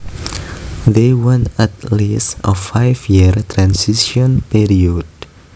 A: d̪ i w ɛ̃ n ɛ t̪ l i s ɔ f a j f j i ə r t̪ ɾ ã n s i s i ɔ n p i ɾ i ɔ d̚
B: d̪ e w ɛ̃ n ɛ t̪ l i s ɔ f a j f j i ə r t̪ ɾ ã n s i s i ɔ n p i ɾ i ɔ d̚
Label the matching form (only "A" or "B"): B